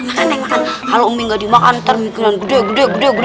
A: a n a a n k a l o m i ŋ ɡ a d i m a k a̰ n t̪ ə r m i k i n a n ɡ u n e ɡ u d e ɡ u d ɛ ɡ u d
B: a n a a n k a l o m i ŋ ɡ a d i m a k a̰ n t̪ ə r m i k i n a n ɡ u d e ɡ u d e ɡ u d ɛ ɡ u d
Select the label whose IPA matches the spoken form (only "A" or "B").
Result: B